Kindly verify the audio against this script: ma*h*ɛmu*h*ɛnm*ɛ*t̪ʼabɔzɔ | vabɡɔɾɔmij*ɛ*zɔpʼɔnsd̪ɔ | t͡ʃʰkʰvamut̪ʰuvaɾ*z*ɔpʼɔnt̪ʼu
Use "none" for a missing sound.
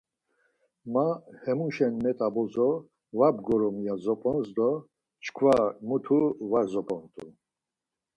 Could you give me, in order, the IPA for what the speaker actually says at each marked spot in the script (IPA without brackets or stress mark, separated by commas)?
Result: h, ʃ, ɛ, a, z